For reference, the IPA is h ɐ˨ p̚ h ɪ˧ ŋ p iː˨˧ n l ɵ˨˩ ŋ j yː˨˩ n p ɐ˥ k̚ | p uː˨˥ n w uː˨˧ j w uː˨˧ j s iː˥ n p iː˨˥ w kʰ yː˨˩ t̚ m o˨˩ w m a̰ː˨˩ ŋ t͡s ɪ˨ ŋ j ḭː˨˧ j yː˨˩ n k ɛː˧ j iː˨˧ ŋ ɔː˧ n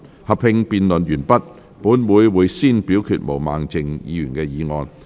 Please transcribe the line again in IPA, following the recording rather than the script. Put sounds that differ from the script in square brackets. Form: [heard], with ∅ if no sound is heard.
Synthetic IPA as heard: h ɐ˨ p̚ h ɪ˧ ŋ p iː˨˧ n l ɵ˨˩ [n] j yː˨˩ n p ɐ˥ [t̚] | p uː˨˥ n w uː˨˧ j w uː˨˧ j s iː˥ n p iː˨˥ w kʰ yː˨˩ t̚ m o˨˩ w m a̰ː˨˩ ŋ t͡s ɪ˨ ŋ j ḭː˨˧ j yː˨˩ n k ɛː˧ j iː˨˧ ŋ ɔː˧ n